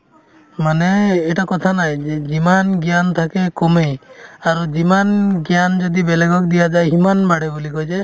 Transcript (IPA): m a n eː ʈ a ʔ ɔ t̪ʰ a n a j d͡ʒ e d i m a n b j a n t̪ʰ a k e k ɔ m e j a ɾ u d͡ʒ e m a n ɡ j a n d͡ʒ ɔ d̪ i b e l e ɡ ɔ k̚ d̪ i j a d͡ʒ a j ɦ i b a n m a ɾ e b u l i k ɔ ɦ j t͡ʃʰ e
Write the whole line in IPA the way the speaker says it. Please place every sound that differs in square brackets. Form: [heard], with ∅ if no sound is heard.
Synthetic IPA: m a n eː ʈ a [k] ɔ t̪ʰ a n a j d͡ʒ e [d͡ʒ] i m a n [ɡ] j a n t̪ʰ a k e k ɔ m e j a ɾ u d͡ʒ [i] m a n ɡ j a n d͡ʒ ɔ d̪ i b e l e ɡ ɔ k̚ d̪ i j a d͡ʒ a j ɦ i [m] a n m a [ɽ] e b u l i k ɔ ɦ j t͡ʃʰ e